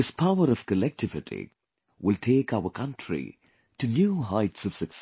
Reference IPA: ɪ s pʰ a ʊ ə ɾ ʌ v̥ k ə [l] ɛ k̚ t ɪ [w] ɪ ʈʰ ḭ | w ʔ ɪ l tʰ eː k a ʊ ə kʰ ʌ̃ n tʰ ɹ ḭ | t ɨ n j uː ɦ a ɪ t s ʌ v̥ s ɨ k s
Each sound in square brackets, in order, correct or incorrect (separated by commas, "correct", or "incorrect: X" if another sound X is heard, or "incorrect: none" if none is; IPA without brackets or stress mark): correct, incorrect: v